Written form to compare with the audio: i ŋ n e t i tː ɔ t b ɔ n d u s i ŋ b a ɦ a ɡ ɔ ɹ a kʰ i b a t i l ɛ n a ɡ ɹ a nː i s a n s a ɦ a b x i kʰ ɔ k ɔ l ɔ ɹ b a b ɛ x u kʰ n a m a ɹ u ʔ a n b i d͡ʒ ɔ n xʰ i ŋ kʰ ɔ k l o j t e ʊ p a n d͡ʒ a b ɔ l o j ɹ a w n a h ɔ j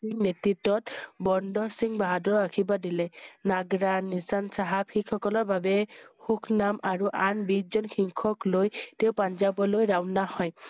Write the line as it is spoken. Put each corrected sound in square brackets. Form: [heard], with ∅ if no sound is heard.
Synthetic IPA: i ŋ n e t i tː ɔ t b ɔ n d [ɔ] s i ŋ b a ɦ a [d] ɔ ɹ a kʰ i b a [d] i l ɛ n a ɡ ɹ a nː i s a n s a ɦ a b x i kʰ ɔ k ɔ l ɔ ɹ b a b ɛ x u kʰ n a m a ɹ u ʔ a n b i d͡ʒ ɔ n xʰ i ŋ kʰ ɔ k l o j t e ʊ p a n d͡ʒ a b ɔ l o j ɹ a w n a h ɔ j

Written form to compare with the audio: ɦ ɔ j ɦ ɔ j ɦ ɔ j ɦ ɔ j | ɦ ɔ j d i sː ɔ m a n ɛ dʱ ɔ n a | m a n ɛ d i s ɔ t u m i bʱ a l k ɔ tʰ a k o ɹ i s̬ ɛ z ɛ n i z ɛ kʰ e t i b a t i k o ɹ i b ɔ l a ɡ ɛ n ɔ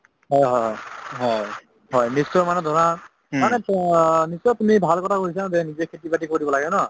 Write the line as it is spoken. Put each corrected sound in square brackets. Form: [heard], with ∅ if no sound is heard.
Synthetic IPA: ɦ ɔ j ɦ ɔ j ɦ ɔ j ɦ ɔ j | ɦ ɔ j [n] i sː ɔ m a n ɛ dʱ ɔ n a | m a n ɛ [n] i s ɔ t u m i bʱ a l k ɔ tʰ a k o ɹ i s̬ [a] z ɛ n i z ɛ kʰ e t i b a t i k o ɹ i b ɔ l a ɡ ɛ n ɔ

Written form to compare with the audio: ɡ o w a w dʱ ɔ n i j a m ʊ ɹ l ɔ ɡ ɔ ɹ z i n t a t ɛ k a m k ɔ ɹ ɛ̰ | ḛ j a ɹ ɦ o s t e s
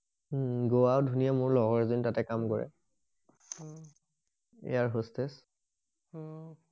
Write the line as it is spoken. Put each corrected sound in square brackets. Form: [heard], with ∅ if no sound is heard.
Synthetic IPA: ɡ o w a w dʱ [u] n i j a m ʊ ɹ l ɔ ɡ ɔ ɹ z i n t a t ɛ k a m k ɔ ɹ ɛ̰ | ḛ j a ɹ ɦ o s t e s

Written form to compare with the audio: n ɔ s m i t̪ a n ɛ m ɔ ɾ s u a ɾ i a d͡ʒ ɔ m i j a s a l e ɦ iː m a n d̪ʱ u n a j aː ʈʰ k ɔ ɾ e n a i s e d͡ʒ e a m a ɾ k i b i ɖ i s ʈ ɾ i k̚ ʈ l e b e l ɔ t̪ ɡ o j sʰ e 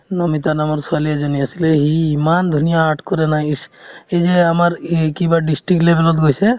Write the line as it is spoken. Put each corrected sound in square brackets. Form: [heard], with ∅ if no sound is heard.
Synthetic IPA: n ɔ [∅] m i t̪ a n [a] m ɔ ɾ s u a [l] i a d͡ʒ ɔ [n] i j a s [i] l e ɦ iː m a n d̪ʱ u n [i] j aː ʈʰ k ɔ ɾ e n a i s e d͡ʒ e a m a ɾ k i b [a] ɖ i s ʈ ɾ i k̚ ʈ l e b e l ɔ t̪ ɡ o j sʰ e

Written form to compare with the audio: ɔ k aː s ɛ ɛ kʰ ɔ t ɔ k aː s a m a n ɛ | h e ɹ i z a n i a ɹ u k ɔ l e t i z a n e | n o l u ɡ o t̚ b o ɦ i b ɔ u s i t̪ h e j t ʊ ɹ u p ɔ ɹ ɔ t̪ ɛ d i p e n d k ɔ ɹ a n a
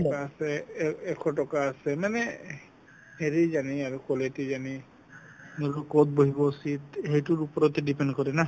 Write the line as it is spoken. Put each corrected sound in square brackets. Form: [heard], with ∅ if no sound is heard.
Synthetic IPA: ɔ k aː s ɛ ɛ kʰ ɔ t ɔ k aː s [ɛ] m a n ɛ | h e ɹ i z a n i a ɹ u k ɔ l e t i z a n [i] | n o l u [k] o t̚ b o ɦ i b ɔ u s i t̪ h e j t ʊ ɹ u p ɔ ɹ ɔ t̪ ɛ d i p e n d k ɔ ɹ [ɛ] n a

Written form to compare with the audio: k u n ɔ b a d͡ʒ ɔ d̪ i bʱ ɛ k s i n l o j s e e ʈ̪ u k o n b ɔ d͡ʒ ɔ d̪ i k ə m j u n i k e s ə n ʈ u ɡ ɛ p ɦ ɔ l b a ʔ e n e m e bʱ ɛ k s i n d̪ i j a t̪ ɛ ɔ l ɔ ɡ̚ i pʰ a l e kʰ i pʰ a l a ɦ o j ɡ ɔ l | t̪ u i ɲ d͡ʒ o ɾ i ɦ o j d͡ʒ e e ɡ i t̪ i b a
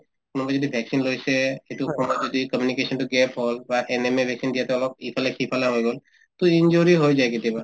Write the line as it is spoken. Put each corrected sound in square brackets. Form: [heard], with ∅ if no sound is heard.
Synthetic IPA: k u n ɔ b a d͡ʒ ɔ d̪ i bʱ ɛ k s i n l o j s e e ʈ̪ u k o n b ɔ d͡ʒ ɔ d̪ i k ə m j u n i k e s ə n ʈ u ɡ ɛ p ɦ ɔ l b a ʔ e n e m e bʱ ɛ k s i n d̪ i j a t̪ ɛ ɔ l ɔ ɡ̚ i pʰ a l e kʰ i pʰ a l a ɦ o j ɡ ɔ l | t̪ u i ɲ d͡ʒ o ɾ i ɦ o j d͡ʒ [a] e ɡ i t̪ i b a

